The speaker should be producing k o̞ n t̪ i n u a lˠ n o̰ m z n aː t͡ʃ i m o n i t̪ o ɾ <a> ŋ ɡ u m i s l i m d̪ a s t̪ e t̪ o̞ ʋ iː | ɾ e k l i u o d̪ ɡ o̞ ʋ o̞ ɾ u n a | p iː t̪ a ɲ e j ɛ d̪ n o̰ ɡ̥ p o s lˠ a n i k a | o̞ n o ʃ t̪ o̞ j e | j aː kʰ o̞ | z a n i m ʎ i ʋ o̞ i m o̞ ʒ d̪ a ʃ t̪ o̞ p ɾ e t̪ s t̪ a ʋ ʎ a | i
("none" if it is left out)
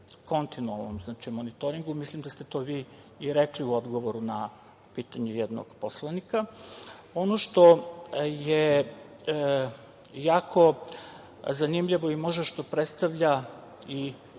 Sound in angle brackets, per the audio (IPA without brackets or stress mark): i